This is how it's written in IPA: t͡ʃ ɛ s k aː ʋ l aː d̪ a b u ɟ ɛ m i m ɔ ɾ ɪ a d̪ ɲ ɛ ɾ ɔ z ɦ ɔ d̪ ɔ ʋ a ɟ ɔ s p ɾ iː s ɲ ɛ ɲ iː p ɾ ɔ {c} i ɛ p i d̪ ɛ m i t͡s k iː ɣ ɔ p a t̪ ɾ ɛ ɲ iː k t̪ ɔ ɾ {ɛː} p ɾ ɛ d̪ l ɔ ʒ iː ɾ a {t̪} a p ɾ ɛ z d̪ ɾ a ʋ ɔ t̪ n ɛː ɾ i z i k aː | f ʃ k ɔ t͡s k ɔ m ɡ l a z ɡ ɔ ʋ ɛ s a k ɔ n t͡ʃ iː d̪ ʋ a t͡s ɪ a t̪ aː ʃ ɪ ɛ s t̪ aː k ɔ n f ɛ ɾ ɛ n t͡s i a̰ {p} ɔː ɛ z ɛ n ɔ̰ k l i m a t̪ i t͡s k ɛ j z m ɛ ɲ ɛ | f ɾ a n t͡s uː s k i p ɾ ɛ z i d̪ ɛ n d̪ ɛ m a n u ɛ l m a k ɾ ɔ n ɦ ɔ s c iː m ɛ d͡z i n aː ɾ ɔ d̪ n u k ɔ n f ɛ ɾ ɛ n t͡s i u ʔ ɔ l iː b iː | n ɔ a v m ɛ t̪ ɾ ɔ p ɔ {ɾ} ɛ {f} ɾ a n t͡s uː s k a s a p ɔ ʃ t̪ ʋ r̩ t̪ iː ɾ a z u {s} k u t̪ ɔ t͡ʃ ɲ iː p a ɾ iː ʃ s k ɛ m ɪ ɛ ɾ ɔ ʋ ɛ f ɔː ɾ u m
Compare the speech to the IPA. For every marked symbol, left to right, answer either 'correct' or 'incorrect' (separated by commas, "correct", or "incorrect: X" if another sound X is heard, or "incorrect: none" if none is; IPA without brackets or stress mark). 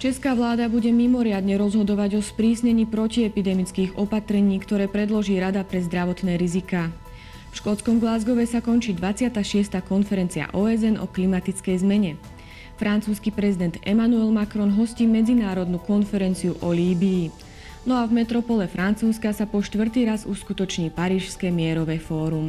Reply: correct, correct, incorrect: d̪, incorrect: ʔ, incorrect: l, correct, correct